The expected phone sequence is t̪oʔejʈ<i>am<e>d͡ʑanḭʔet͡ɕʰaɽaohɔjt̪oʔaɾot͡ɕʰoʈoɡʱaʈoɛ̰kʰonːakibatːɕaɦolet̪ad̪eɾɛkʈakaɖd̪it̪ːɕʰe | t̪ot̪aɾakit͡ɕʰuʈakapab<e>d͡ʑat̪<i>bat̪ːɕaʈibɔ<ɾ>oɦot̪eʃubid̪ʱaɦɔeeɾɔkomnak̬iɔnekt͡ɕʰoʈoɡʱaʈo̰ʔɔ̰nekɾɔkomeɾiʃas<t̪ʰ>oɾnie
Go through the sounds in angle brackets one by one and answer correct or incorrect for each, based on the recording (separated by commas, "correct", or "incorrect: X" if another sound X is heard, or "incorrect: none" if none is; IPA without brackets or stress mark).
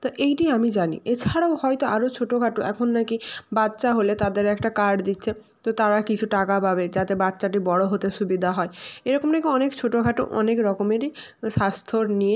correct, incorrect: i, correct, incorrect: e, incorrect: ɽ, correct